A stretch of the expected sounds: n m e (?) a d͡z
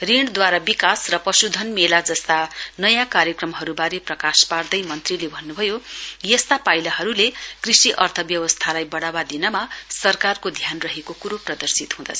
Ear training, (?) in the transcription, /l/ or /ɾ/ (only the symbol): l